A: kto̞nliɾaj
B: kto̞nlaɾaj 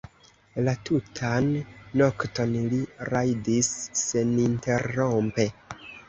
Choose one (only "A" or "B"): A